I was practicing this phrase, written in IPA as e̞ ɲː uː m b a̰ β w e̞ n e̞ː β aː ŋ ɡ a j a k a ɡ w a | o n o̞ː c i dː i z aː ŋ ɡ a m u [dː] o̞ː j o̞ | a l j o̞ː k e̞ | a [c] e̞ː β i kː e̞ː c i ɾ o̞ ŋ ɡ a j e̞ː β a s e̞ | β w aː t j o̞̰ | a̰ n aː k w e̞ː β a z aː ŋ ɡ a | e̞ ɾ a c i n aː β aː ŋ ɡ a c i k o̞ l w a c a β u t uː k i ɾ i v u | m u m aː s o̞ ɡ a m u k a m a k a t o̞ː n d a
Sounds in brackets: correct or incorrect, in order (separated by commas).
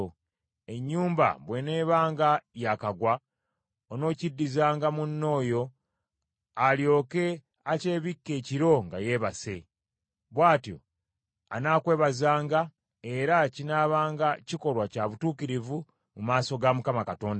incorrect, correct